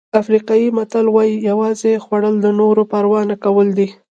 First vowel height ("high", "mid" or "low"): low